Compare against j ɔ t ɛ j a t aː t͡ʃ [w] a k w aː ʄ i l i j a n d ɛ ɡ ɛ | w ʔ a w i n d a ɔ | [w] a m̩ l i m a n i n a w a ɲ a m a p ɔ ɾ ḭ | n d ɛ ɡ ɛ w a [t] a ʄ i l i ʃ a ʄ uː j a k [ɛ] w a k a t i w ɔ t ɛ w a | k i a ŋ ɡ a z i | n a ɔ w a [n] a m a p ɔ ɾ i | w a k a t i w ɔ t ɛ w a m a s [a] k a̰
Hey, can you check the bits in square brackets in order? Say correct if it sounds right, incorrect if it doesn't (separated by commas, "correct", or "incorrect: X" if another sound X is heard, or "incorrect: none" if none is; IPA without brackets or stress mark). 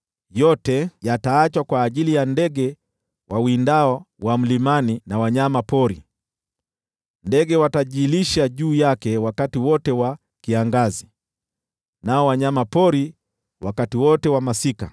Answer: correct, correct, correct, correct, incorrect: ɲ, incorrect: i